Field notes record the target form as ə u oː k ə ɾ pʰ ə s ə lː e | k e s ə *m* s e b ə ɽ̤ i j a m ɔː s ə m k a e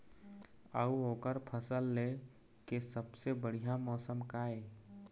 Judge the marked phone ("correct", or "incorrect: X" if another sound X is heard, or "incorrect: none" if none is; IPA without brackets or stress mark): incorrect: b